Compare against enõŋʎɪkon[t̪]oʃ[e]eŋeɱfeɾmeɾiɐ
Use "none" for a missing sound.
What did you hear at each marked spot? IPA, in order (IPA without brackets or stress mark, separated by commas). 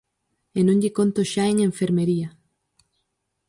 t̪, a